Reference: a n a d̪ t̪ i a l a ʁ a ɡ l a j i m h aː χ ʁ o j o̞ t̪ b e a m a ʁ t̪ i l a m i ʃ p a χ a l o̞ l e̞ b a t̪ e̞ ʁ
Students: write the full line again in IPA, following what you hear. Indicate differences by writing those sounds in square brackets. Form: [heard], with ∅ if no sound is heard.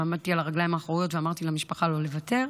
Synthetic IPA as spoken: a [m] a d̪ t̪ i a l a ʁ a ɡ l a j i m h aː χ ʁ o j o̞ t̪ [v] e a m a ʁ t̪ i l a m i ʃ p a χ a l o̞ l e̞ [v] a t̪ e̞ ʁ